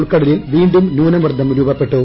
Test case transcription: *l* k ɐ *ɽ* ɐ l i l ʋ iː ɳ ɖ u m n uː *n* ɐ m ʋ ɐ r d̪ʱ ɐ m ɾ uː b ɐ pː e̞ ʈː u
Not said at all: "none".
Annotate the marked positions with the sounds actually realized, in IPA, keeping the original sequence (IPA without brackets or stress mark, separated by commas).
ɭ, ɽ, n